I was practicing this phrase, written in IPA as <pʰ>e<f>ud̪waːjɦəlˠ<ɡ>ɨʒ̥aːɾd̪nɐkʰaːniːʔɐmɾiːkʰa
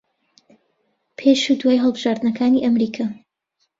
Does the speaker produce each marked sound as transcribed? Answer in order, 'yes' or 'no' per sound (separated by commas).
yes, no, no